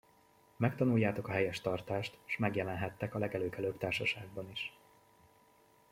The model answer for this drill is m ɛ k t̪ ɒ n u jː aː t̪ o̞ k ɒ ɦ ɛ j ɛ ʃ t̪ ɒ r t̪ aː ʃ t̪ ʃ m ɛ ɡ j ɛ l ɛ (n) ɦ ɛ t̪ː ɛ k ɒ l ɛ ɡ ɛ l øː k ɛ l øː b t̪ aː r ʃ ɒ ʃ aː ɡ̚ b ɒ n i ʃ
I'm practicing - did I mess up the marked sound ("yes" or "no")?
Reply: no